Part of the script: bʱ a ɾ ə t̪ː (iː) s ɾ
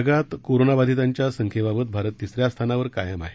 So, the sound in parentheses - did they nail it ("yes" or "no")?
no